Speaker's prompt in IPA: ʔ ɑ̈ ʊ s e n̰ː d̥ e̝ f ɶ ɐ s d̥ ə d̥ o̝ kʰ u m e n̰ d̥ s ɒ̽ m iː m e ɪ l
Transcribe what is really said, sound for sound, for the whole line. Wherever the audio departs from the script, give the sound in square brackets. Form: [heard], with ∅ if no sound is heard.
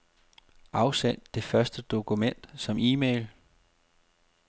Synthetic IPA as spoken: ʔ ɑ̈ ʊ s e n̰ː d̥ e̝ f ɶ ɐ s d̥ ə d̥ o̝ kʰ u m e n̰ d̥ s ɒ̽ m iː m e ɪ l